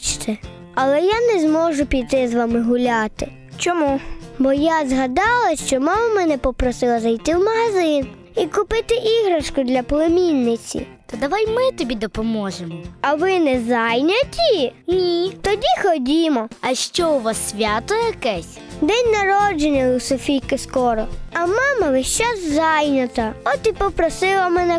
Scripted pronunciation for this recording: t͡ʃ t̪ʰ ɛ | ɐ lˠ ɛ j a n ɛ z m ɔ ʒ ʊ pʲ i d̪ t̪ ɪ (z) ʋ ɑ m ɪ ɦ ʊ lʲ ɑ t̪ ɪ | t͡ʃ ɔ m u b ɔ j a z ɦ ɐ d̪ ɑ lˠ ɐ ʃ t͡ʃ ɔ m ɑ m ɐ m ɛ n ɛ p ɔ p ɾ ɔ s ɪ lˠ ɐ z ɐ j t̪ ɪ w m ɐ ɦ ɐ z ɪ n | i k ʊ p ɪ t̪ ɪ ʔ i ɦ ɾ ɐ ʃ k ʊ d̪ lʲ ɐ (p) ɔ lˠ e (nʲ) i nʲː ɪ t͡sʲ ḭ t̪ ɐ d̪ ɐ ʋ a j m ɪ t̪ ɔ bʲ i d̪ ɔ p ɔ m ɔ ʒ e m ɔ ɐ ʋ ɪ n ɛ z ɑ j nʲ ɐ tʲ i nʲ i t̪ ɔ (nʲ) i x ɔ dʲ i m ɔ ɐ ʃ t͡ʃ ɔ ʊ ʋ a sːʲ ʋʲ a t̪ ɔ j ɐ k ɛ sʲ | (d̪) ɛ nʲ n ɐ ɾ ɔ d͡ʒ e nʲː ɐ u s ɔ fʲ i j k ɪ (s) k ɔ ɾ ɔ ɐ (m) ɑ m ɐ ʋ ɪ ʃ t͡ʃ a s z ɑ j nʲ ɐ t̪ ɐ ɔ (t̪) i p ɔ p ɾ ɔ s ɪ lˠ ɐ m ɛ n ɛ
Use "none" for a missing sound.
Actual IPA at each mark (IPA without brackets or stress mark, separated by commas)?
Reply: z, p, mʲ, dʲ, d̪, s, m, t̪